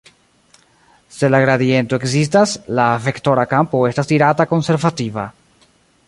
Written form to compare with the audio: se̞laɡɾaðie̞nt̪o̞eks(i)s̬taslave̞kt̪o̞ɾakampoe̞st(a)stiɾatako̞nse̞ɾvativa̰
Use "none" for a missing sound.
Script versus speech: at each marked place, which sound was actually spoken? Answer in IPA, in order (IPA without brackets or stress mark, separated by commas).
i, a